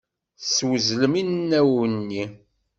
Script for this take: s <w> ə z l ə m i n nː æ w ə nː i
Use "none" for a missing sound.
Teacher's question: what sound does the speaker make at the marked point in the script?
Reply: w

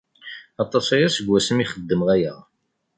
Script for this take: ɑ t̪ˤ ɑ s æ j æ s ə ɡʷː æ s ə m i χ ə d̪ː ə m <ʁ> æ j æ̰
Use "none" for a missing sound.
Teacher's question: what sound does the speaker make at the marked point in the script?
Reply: ʁ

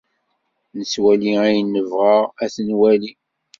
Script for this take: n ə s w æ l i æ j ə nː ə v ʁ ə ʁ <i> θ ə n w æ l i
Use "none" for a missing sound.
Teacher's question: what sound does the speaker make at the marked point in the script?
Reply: æ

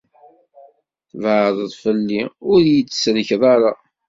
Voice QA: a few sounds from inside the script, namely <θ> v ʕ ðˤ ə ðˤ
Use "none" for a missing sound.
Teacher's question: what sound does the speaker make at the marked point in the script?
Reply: θ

